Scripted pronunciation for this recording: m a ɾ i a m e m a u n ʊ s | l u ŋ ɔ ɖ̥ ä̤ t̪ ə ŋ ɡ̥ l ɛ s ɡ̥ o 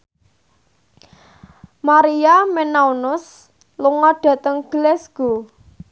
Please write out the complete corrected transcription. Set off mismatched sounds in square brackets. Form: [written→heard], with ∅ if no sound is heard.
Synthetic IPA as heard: m a ɾ i a m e [m→n] a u n ʊ s | l u ŋ ɔ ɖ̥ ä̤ t̪ ə ŋ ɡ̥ l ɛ s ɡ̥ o